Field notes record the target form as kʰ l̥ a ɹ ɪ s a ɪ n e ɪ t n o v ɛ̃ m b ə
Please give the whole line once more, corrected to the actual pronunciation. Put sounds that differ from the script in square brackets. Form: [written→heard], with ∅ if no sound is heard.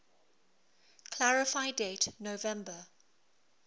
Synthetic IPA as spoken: kʰ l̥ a ɹ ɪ [s→f] a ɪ [n→d] e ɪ t n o v ɛ̃ m b ə